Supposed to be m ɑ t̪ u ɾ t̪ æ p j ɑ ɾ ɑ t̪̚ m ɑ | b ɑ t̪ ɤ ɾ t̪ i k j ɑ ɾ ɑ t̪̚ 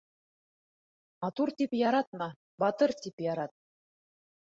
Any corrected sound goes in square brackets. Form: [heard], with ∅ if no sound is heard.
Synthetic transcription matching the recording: m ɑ t̪ u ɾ t̪ [i] p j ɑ ɾ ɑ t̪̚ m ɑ | b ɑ t̪ ɤ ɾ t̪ i [p] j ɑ ɾ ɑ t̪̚